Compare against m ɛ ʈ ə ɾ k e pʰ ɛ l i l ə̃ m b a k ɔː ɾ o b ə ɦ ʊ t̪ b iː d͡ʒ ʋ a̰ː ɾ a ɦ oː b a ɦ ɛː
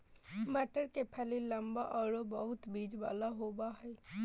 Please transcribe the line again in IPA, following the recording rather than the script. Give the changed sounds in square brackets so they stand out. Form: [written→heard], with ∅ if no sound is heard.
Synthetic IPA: m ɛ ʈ ə ɾ k e pʰ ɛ l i l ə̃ m b a [k→ʔ] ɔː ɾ o b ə ɦ ʊ t̪ b iː d͡ʒ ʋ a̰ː [ɾ→l] a ɦ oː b a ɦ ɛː